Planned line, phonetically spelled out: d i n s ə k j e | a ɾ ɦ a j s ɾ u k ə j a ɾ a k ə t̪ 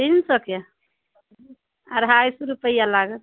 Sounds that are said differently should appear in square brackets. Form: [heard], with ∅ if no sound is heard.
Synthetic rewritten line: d i n s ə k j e | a ɾ ɦ a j s ɾ u [p] ə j a [l] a [ɡ] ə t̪

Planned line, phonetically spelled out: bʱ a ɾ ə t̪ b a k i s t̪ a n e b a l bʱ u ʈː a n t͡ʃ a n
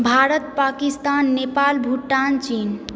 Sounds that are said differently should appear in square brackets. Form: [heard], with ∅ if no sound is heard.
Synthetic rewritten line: bʱ a ɾ ə t̪ [p] a k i s t̪ a [nː] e [p] a l bʱ u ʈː a n t͡ʃ [i] n

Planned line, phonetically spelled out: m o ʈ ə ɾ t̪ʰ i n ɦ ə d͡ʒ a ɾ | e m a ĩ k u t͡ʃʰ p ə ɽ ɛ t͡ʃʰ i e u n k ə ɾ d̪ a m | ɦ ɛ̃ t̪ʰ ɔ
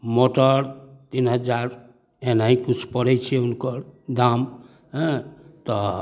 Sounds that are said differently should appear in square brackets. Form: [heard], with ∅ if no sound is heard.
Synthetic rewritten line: m o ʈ ə ɾ [t̪] i n ɦ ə d͡ʒ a ɾ | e [n] a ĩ k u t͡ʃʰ p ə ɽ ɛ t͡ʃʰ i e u n k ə ɾ d̪ a m | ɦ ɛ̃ [t̪] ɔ

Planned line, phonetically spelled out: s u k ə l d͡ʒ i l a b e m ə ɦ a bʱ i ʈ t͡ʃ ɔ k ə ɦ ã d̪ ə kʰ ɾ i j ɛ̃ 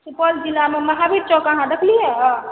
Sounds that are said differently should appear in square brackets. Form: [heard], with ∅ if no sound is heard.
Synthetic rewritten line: s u [p] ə l d͡ʒ i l a [m] e m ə ɦ a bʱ i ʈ t͡ʃ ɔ k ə ɦ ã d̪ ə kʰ [l] i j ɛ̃

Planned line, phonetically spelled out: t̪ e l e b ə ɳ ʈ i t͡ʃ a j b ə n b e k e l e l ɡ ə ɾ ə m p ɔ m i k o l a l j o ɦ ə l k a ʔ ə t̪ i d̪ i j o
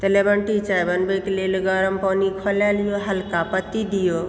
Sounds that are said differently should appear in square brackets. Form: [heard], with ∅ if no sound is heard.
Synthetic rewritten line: t̪ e l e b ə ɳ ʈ i t͡ʃ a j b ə n b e k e l e l ɡ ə ɾ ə m p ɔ [n] i [kʰ] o l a l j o ɦ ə l k a [p] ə t̪ i d̪ i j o

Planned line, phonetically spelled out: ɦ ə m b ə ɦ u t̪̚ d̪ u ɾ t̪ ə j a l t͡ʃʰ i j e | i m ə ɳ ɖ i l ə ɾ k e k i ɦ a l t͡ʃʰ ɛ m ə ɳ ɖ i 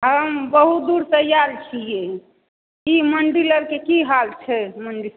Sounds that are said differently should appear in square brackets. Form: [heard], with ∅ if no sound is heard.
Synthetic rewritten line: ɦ ə m b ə ɦ u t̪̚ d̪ u ɾ t̪ ə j a [ɾ] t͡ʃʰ i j e | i m ə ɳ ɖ i l ə ɾ k e k i ɦ a l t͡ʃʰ ɛ m ə ɳ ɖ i

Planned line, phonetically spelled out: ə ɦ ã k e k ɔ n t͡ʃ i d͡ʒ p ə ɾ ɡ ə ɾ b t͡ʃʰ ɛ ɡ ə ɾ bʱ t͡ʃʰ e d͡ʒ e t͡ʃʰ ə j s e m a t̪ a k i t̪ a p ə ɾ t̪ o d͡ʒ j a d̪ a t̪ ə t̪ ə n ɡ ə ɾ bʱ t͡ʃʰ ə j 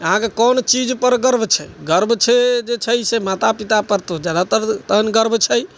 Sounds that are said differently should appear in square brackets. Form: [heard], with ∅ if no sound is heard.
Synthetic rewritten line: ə ɦ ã k e k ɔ n t͡ʃ i d͡ʒ p ə ɾ ɡ ə ɾ b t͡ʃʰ ɛ ɡ ə ɾ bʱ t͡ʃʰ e d͡ʒ e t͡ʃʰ ə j s e m a t̪ a [p] i t̪ a p ə ɾ t̪ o d͡ʒ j a d̪ a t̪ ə t̪ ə n ɡ ə ɾ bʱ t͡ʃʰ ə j

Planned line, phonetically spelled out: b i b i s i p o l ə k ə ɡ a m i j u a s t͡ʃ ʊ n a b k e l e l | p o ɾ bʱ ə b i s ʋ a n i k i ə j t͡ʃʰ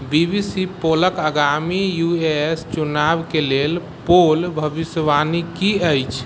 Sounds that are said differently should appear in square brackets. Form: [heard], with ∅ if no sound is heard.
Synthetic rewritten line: b i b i s i p o l ə k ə ɡ a m i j u [e] s t͡ʃ [u] n a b k e l e l | p o [l] bʱ ə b i s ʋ a n i k i ə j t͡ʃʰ

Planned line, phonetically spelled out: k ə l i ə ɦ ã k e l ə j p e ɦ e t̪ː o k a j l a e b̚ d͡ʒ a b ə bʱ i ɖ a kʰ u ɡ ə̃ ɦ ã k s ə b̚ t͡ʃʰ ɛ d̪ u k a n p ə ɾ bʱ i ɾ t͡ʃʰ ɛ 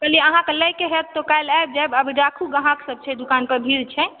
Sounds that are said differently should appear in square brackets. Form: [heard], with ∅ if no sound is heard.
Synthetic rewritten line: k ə l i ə ɦ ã k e l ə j [k] e ɦ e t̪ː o k a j l a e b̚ d͡ʒ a b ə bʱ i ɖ a kʰ u ɡ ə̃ ɦ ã k s ə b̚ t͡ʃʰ ɛ d̪ u k a n p ə ɾ bʱ i ɾ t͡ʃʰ ɛ

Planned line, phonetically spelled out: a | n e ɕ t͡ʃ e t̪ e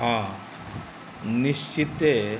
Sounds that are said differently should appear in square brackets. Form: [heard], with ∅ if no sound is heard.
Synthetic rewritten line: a | n [i] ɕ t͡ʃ [i] t̪ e

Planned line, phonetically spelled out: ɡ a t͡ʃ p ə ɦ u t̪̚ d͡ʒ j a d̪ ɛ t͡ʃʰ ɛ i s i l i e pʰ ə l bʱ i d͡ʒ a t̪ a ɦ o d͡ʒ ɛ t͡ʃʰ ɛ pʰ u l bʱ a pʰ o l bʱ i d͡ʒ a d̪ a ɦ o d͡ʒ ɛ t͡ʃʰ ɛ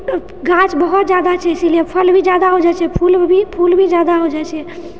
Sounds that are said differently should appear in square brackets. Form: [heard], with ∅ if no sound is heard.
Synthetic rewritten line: ɡ a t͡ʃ [b] ə ɦ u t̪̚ d͡ʒ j a d̪ [a] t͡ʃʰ ɛ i s i l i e pʰ ə l bʱ i d͡ʒ a [d̪] a ɦ o d͡ʒ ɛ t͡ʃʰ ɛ pʰ u l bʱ [i] pʰ [u] l bʱ i d͡ʒ a d̪ a ɦ o d͡ʒ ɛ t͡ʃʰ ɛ

